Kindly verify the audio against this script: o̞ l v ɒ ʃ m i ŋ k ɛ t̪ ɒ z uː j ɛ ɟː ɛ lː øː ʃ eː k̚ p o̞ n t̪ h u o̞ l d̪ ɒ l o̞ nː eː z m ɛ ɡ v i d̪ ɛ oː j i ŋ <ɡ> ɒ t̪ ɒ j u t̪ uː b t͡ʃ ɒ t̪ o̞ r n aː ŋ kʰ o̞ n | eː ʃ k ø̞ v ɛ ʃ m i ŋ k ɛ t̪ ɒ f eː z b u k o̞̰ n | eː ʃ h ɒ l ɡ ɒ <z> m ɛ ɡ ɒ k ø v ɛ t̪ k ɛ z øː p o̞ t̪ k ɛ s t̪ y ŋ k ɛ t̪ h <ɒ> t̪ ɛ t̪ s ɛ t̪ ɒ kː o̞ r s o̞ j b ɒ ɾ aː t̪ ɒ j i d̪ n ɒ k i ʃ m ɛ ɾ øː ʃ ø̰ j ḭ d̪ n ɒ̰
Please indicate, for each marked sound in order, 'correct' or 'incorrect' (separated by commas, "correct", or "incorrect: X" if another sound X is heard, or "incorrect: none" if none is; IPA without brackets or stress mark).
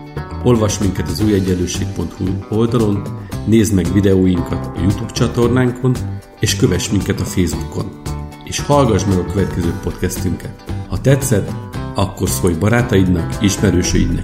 incorrect: k, incorrect: ʒ, correct